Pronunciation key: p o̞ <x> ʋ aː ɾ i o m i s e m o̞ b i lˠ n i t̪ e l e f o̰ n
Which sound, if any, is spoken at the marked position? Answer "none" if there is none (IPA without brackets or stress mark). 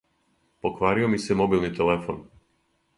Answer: k